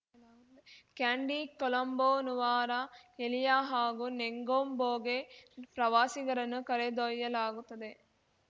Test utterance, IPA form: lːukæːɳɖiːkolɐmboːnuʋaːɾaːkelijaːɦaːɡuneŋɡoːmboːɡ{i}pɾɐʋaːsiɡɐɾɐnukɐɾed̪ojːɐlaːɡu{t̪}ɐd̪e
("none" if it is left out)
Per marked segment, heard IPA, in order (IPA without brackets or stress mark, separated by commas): e, t̪